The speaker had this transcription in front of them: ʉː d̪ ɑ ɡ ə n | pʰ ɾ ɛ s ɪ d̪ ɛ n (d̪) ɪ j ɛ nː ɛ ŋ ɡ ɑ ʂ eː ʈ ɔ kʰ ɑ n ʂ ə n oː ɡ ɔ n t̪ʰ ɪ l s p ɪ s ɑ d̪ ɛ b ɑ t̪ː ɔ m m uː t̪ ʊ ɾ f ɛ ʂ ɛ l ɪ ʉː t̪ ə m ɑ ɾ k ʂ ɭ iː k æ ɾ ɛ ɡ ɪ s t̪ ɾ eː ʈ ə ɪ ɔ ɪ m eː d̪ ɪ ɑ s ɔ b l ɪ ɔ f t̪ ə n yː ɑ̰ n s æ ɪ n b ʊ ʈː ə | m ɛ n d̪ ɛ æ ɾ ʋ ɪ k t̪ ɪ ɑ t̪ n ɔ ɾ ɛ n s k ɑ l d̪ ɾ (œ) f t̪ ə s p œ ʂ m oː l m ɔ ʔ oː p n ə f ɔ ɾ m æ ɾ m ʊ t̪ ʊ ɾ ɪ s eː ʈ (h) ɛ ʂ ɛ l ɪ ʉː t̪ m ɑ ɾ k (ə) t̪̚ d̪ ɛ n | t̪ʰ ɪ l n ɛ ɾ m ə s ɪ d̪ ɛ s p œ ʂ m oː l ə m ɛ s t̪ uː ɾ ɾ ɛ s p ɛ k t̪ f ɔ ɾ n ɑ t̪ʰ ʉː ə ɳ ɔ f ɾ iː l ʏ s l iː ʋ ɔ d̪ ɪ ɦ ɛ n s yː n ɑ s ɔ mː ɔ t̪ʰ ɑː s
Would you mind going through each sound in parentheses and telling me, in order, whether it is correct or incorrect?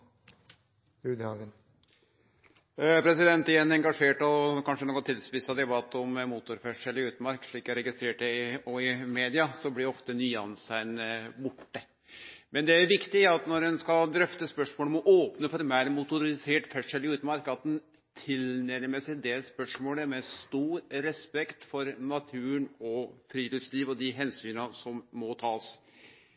incorrect: t̪, correct, incorrect: f, incorrect: ɑ

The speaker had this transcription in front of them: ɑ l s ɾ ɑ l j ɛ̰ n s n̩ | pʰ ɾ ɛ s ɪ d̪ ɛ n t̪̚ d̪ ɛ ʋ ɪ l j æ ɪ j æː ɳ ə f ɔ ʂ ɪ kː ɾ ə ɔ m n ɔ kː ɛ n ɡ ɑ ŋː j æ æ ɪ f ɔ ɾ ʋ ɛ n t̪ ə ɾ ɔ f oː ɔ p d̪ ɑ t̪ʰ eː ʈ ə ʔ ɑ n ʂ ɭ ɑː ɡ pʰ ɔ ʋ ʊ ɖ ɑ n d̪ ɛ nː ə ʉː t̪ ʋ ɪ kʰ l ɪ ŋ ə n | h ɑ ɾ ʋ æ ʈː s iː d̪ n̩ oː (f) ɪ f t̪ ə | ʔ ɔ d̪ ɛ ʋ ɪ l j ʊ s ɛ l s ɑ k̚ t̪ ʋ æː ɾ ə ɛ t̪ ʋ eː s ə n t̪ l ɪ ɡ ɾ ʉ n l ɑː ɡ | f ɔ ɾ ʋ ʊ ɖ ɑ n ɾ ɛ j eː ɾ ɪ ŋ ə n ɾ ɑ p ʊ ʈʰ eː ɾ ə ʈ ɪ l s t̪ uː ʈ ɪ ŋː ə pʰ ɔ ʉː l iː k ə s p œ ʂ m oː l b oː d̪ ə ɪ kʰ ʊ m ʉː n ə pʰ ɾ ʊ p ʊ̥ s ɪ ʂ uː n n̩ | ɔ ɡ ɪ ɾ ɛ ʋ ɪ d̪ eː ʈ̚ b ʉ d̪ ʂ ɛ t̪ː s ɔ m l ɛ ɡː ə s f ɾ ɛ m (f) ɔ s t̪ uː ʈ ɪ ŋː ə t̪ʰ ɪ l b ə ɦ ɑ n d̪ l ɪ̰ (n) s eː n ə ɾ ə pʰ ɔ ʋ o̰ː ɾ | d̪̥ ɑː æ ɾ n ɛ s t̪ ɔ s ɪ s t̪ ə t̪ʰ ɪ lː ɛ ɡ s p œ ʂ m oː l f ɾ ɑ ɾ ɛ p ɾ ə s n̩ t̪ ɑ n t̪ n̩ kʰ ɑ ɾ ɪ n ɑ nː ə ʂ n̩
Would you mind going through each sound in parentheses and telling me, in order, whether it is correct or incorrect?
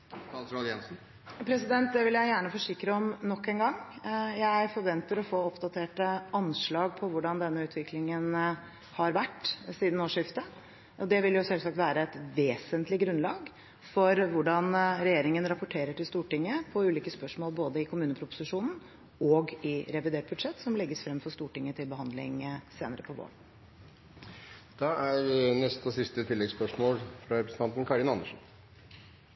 incorrect: ʂ, correct, incorrect: ŋ

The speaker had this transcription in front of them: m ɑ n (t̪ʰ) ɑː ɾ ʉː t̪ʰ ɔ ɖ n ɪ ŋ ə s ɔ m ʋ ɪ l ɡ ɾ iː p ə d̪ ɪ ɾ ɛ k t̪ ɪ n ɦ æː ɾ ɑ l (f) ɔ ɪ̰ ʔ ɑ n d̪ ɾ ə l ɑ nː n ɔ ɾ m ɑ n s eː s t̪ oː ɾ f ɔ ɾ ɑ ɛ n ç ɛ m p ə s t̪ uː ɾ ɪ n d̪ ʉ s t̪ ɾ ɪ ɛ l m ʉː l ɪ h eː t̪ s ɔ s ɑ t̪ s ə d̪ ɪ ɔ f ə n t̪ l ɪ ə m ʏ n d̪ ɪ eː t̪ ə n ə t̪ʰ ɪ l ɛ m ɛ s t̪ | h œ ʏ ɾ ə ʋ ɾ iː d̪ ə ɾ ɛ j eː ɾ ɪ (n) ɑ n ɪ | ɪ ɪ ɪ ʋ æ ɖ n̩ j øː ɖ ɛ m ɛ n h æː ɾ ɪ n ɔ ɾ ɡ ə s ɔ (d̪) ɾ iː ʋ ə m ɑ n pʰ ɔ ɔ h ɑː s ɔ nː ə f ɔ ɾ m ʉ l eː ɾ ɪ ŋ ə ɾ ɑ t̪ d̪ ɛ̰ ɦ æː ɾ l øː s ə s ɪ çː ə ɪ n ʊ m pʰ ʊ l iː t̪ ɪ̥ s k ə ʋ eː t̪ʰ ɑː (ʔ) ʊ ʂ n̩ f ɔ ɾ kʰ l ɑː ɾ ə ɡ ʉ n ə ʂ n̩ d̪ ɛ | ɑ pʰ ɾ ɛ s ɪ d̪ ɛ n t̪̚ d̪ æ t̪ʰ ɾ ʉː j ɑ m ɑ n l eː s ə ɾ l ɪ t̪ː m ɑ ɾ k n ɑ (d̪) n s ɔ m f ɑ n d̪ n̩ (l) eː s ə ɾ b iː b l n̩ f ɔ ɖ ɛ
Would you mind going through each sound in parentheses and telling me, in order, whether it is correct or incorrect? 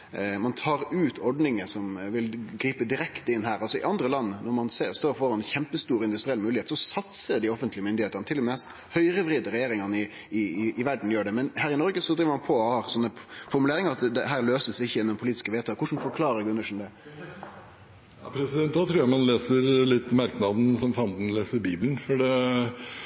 correct, incorrect: s, incorrect: ŋ, correct, incorrect: k, correct, correct

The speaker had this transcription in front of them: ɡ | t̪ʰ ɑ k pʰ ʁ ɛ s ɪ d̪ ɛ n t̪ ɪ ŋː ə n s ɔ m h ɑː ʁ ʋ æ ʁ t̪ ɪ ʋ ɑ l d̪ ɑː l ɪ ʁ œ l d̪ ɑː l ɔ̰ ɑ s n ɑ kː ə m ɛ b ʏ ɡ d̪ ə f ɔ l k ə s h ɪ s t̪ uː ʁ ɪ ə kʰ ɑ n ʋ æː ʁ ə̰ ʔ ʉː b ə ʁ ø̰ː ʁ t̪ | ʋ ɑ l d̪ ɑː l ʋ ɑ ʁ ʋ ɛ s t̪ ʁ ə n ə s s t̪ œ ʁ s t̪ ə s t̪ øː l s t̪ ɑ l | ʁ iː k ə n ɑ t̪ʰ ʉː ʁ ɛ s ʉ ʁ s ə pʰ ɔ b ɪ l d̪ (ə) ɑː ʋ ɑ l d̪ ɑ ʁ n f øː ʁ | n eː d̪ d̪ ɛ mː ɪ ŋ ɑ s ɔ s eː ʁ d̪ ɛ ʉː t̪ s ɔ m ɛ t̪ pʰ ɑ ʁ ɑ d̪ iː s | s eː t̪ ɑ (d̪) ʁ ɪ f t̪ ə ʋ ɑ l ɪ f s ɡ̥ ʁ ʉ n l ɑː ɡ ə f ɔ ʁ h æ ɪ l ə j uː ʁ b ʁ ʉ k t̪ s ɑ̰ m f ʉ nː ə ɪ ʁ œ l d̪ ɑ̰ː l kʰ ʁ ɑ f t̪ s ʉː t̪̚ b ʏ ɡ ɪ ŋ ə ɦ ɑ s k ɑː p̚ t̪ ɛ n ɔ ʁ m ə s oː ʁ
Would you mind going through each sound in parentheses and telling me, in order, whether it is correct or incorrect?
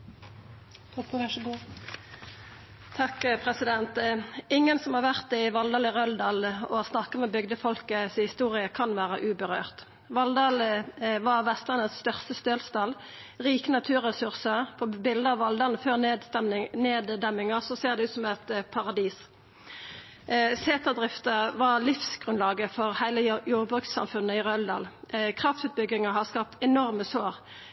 correct, correct

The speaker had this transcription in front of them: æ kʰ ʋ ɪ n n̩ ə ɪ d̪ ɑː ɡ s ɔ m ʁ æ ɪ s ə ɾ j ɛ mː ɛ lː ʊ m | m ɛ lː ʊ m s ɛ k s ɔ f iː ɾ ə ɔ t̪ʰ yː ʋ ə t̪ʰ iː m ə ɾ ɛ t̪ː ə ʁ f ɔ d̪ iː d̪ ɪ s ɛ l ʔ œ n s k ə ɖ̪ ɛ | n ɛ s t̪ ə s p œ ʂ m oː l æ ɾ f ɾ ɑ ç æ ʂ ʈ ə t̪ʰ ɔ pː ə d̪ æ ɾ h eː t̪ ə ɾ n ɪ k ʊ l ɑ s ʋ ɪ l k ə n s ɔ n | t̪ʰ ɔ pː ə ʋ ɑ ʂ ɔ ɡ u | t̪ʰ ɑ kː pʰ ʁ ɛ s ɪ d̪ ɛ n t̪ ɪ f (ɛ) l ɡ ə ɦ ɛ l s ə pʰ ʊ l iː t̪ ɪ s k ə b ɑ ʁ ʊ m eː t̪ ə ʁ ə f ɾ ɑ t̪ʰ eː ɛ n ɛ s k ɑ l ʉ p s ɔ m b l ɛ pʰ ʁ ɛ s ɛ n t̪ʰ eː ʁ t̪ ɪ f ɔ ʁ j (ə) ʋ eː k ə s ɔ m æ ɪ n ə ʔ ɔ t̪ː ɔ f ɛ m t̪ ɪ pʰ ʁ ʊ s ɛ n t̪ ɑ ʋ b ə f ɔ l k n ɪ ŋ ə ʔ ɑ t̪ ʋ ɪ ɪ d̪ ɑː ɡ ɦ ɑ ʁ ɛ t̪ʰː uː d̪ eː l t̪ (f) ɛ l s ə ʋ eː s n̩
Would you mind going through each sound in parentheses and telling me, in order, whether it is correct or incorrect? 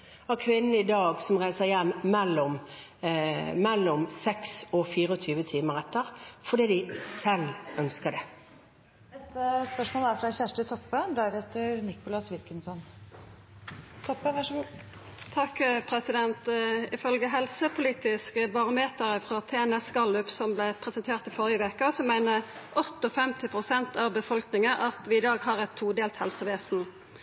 incorrect: œ, correct, incorrect: h

